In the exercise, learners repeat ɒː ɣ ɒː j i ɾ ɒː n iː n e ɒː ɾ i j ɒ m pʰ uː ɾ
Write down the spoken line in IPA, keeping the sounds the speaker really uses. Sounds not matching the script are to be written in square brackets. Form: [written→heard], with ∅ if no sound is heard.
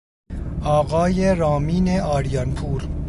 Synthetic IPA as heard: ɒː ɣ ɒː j [i→e] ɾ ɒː [n→m] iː n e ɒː ɾ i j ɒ [m→n] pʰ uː ɾ